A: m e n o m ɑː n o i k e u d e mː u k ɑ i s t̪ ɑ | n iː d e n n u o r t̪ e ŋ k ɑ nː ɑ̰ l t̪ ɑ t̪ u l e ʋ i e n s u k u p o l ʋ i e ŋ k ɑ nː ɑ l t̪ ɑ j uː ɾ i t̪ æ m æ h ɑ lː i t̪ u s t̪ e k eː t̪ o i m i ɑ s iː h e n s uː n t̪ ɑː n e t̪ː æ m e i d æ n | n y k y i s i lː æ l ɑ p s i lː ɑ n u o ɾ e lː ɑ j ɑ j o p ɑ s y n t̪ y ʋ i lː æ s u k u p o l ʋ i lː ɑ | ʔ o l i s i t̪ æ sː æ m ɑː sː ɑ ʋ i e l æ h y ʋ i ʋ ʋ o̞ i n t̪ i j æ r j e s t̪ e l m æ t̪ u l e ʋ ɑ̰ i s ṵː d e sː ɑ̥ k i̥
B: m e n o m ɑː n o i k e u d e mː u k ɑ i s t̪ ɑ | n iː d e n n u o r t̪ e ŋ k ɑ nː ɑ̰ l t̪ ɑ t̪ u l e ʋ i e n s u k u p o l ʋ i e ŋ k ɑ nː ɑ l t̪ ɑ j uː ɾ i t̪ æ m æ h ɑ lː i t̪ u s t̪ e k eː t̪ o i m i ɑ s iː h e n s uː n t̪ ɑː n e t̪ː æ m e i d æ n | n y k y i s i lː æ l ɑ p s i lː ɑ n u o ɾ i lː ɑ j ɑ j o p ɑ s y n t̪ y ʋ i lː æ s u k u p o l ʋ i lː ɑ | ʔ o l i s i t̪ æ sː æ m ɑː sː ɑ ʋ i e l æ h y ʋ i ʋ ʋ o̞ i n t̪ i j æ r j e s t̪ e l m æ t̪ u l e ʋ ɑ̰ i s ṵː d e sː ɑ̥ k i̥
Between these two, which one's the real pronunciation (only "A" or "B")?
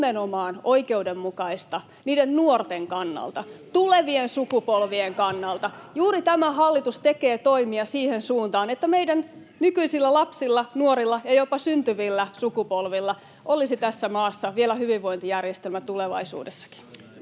B